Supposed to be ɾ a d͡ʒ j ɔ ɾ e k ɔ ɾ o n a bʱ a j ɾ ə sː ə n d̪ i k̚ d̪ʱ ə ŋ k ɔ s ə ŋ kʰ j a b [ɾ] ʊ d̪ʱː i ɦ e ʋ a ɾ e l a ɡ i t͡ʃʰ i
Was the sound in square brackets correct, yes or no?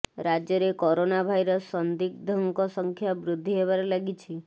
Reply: yes